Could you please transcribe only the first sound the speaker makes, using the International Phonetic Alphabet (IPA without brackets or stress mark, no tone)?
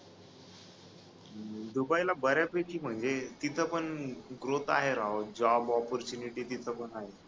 d̪